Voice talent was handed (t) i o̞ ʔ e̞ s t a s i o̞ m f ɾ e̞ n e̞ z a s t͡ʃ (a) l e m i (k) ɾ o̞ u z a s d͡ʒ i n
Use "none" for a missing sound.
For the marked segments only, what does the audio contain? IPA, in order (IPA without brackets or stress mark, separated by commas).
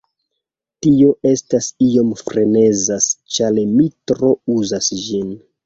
t, a, t